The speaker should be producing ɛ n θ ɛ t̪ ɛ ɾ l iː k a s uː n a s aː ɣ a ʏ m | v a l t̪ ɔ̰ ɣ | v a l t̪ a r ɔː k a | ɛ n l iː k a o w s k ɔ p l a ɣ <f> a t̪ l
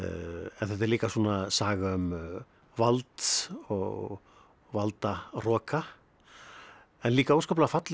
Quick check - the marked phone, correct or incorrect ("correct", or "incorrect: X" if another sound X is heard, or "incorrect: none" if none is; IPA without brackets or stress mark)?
correct